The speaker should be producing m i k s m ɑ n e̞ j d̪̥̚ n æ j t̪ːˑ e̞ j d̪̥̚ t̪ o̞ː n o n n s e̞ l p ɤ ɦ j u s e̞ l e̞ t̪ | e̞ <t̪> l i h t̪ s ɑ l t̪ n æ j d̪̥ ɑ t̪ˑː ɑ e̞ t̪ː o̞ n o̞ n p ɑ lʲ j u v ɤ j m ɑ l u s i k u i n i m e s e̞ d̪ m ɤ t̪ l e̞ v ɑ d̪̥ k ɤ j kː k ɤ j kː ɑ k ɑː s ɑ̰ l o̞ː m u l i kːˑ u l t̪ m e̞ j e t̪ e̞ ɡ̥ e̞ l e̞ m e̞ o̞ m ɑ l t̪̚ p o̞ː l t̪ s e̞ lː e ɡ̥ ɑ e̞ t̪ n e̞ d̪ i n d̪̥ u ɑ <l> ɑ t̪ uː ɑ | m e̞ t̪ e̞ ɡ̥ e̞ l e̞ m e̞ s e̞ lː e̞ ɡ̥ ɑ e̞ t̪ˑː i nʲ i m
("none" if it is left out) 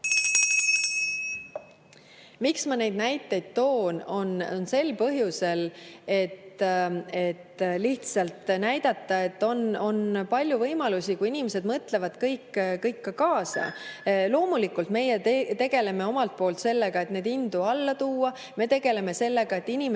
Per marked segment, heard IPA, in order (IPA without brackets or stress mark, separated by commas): t̪, lː